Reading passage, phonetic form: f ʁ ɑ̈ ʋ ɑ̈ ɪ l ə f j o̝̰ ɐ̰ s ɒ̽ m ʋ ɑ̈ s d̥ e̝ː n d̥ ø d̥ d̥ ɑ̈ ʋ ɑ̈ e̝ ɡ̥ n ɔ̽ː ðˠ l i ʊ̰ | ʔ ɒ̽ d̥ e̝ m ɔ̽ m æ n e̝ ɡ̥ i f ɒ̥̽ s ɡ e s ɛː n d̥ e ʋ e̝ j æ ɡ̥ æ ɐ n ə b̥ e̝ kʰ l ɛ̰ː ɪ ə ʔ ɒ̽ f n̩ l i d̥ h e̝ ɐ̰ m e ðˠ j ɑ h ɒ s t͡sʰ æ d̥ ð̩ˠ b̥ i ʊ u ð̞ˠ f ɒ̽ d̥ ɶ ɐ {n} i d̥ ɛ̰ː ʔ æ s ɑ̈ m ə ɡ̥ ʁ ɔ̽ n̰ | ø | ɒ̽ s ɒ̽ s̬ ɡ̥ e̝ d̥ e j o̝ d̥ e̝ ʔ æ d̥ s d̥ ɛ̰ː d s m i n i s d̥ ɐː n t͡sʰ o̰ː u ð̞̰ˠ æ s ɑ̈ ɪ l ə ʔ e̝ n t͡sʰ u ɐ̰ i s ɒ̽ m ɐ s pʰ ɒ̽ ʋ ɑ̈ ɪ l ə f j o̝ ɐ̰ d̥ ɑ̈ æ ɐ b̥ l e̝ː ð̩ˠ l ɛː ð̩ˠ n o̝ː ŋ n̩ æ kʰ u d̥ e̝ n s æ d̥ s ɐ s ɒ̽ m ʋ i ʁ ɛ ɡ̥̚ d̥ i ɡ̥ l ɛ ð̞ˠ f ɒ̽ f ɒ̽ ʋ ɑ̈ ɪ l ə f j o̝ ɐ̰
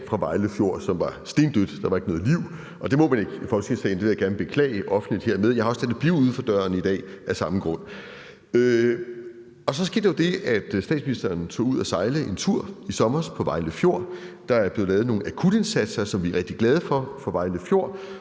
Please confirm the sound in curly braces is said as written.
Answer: yes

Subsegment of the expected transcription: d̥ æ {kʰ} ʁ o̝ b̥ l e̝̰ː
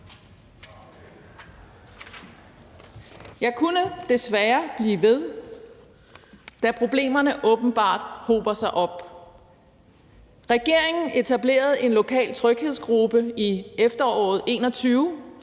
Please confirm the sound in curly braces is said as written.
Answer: no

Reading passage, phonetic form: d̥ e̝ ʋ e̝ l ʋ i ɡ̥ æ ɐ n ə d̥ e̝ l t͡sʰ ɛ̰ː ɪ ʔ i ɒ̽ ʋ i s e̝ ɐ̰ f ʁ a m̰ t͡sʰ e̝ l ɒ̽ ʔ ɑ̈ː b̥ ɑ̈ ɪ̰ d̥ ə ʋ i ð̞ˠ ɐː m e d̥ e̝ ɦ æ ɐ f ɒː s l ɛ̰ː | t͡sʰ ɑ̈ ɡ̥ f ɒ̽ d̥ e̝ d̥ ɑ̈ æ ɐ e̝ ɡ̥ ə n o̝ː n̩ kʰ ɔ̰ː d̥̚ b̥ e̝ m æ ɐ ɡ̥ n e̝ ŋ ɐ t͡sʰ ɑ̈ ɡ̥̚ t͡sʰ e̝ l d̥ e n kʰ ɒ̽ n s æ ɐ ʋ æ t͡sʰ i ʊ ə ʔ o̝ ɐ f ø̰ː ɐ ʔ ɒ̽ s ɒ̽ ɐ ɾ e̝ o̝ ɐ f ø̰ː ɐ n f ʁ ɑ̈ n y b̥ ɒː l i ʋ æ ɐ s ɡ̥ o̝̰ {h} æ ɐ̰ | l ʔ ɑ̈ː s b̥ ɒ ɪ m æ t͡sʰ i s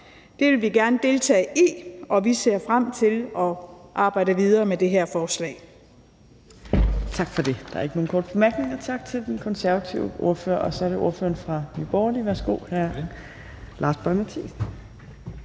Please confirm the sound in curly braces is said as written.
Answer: yes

